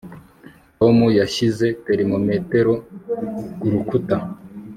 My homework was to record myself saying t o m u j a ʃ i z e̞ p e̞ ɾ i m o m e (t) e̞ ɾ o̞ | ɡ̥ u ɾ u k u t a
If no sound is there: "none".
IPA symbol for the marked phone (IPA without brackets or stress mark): t